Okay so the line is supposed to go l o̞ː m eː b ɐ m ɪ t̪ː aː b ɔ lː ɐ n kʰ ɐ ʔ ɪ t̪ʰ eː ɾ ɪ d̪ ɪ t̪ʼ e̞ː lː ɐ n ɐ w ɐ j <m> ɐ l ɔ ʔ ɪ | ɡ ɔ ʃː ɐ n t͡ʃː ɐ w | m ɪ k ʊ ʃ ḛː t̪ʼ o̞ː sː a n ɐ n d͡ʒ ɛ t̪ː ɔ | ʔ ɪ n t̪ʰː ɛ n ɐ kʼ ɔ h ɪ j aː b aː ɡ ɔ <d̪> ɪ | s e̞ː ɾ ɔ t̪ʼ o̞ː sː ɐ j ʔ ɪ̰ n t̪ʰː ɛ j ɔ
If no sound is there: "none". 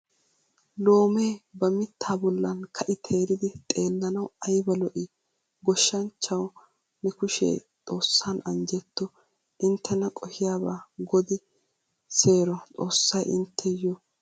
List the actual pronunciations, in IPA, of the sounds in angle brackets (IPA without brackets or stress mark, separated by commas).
b, d̪